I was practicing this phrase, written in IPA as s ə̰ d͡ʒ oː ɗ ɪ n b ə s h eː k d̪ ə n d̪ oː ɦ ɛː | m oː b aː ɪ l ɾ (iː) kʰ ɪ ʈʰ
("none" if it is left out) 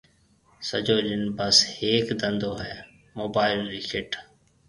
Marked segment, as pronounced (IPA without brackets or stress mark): iː